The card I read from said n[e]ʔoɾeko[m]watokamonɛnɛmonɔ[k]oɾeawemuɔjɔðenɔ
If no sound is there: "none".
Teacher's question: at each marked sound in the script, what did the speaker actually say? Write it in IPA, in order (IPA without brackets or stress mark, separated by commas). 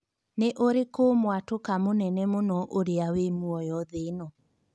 e, m, ʔ